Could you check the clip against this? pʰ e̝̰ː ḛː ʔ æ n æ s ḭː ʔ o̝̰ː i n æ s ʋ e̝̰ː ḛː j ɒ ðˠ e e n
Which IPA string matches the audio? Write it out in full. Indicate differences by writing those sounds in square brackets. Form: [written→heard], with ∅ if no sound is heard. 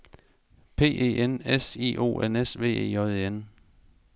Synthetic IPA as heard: pʰ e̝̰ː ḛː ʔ [æ→e] n [æ→e] s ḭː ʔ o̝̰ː [i→e] n [æ→e] s ʋ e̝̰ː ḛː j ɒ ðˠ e e n